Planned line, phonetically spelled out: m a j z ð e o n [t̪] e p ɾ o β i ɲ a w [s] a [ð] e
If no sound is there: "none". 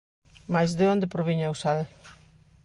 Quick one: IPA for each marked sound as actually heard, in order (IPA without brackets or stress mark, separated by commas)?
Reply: d̪, s, ð